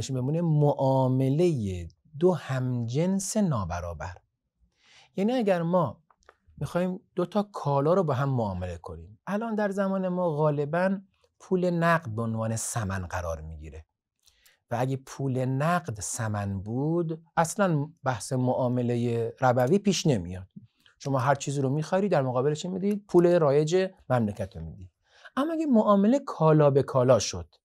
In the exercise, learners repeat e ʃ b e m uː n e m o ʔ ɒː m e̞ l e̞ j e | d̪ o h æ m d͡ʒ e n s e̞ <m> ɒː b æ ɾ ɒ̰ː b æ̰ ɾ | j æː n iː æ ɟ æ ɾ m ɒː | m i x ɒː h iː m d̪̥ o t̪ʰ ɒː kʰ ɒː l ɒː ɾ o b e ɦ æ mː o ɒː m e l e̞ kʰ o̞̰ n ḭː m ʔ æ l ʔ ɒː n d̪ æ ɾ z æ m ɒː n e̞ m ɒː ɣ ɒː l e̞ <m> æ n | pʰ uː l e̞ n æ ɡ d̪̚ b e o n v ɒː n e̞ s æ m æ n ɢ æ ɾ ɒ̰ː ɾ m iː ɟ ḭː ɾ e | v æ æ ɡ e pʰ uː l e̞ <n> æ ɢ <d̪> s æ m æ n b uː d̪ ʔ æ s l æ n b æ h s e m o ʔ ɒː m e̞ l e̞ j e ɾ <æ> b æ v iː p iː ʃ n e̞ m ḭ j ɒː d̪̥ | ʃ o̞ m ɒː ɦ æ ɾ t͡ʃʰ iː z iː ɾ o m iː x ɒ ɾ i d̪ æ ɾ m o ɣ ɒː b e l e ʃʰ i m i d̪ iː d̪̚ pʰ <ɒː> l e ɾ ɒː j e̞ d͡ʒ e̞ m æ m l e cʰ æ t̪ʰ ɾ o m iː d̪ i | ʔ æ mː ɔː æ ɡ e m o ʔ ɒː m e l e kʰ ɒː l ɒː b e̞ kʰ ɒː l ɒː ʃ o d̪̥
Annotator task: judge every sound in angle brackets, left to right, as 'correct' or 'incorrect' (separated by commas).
incorrect, incorrect, correct, correct, correct, incorrect